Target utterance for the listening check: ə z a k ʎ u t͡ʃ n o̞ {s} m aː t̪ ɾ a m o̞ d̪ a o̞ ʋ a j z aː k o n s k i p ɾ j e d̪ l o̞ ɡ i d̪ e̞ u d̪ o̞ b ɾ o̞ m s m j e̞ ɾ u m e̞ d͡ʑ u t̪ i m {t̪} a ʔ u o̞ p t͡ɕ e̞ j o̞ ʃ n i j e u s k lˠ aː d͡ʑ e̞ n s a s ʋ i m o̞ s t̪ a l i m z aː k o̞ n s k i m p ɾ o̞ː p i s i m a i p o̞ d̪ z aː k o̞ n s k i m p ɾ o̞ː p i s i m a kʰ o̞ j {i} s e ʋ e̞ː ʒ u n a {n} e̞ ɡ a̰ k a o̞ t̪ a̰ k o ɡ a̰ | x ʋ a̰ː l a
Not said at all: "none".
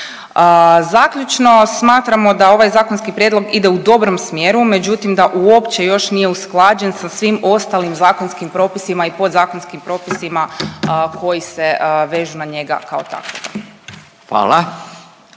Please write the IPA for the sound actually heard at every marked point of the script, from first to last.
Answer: s, d̪, i, ɲ

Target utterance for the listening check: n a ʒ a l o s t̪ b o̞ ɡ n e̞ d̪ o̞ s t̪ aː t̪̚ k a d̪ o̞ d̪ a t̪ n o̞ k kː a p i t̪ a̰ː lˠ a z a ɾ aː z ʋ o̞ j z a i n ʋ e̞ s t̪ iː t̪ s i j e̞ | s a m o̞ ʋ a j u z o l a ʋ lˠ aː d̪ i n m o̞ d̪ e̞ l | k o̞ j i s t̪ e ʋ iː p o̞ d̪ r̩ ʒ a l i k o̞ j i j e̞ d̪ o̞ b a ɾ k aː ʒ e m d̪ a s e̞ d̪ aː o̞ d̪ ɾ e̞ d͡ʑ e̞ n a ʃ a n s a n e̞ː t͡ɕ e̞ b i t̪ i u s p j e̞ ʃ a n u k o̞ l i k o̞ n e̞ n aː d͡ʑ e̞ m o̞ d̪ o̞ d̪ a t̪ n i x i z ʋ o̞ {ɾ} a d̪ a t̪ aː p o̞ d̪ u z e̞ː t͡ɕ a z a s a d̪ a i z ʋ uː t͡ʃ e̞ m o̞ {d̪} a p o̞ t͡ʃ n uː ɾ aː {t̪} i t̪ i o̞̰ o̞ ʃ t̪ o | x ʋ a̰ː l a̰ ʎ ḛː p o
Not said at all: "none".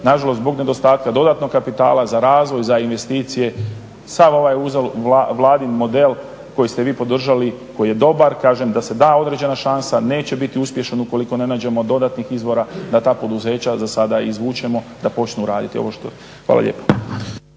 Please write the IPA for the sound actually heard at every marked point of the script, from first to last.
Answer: ɾ, d̪, d̪

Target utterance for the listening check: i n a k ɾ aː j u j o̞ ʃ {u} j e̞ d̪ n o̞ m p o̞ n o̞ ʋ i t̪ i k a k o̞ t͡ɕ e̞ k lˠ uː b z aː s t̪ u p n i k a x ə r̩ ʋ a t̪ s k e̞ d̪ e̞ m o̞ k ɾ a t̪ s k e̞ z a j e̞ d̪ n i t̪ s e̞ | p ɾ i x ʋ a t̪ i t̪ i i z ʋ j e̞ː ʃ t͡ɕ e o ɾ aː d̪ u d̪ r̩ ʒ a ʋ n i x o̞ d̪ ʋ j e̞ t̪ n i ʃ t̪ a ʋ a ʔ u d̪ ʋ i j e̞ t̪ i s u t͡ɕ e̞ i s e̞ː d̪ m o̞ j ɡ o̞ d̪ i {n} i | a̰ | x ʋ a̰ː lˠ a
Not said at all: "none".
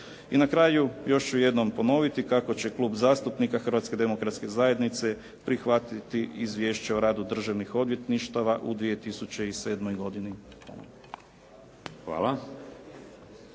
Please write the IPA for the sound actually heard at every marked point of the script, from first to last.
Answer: u, n

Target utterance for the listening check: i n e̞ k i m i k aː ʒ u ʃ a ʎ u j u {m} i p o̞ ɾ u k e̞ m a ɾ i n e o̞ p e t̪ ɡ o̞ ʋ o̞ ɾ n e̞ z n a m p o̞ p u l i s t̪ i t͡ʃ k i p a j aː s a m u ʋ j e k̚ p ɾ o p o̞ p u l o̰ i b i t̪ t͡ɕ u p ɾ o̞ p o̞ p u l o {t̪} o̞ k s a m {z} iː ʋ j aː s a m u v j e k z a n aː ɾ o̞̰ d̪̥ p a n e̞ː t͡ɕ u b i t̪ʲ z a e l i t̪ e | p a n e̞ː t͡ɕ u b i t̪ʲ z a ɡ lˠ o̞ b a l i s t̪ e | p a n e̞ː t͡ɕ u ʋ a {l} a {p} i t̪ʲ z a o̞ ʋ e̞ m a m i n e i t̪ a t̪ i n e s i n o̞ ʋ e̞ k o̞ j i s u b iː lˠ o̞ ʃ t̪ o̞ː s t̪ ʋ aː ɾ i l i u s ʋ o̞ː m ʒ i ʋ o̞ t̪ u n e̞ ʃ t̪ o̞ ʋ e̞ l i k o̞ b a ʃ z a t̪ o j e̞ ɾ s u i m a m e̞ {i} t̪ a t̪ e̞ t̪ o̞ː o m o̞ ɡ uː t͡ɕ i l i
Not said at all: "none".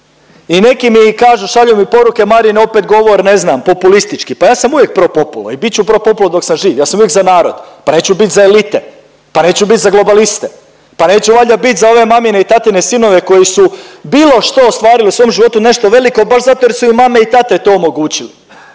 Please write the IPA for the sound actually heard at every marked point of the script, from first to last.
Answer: m, d̪, ʒ, ʎ, b, i

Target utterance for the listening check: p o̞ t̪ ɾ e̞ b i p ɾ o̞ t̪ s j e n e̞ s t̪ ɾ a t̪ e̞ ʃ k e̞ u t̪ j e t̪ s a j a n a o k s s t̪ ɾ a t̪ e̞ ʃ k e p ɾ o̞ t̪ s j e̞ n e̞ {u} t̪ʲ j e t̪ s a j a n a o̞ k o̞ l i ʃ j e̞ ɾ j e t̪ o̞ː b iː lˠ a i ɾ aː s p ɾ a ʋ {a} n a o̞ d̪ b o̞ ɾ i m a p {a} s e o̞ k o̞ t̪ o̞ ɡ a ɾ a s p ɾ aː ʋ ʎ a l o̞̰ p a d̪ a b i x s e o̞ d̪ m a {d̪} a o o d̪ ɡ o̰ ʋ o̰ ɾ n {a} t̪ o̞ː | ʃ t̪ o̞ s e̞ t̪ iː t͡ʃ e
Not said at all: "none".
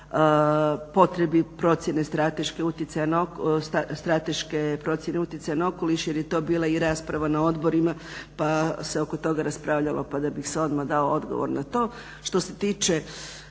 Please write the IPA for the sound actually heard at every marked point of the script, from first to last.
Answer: u, a, a, d̪, a

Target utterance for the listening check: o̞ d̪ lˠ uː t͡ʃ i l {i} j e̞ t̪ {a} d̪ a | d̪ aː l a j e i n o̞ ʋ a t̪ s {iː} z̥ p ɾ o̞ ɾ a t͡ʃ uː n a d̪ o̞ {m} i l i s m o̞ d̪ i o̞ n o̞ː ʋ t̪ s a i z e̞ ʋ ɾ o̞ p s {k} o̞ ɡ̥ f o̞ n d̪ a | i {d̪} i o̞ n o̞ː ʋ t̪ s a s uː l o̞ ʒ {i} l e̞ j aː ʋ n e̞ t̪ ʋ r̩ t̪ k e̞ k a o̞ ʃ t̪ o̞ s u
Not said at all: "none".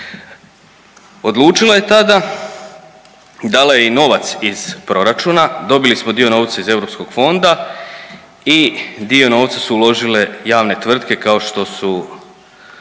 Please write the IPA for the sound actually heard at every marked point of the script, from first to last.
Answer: a, a, i, b, k, d̪, i

